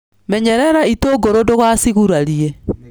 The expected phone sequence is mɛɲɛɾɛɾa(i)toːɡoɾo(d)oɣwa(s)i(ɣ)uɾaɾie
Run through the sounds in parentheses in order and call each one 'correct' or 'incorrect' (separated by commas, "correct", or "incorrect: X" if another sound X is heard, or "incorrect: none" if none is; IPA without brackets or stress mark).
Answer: correct, correct, correct, correct